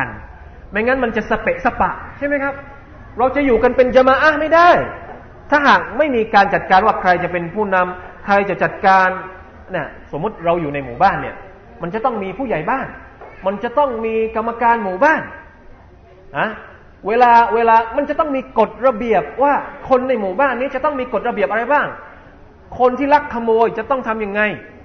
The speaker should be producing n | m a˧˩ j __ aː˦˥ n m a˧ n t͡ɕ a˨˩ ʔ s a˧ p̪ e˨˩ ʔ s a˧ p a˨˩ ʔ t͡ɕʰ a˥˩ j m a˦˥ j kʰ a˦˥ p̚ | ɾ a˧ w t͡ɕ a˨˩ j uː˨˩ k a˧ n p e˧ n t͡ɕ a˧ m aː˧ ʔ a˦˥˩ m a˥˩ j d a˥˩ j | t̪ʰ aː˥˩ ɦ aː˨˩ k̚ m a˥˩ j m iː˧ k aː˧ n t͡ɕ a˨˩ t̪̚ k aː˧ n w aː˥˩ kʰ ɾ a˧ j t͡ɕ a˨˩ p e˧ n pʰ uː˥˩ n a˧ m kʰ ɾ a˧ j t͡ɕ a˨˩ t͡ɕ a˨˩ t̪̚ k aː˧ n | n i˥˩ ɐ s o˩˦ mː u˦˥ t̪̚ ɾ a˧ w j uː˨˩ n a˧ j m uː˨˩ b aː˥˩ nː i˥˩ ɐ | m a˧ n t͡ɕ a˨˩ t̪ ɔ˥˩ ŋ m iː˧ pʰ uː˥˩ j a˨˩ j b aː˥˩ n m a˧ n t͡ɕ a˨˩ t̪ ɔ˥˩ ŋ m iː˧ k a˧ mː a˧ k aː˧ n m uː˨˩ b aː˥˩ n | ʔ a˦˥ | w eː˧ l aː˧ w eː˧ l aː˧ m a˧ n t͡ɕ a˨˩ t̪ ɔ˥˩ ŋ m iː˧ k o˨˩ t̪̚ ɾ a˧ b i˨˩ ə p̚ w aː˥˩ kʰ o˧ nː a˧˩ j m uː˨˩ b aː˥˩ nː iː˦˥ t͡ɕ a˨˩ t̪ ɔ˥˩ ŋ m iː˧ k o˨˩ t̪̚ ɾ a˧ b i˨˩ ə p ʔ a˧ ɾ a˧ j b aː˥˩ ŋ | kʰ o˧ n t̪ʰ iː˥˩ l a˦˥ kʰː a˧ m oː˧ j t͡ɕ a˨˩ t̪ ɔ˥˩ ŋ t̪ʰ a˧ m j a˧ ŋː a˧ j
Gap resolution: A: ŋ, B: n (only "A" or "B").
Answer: A